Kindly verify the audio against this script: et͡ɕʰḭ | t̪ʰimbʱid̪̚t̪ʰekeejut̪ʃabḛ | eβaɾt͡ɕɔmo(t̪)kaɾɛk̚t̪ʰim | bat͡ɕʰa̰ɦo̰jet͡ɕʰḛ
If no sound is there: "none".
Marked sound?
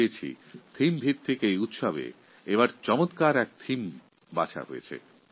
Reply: t̪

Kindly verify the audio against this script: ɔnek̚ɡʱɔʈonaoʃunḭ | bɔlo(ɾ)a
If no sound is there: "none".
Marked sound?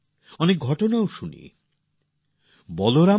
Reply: ɾ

